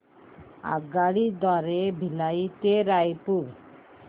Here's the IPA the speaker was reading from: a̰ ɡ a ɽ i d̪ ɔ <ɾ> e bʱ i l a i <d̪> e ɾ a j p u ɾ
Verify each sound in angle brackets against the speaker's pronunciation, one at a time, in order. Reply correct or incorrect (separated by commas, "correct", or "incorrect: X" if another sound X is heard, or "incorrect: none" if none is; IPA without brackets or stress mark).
correct, incorrect: t̪